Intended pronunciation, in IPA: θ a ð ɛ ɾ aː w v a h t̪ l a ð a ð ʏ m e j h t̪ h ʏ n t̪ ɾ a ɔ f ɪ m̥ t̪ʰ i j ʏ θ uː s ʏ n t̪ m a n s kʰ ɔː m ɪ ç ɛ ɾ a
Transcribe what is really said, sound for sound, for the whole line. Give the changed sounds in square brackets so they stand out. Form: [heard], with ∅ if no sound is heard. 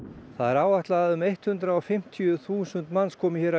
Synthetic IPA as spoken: θ a ð ɛ ɾ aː w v a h t̪ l a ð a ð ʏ m e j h t̪ h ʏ n t̪ ɾ a ɔ f ɪ m̥ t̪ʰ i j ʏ θ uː s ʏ n t̪ m a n s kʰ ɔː m ɪ ç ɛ ɾ a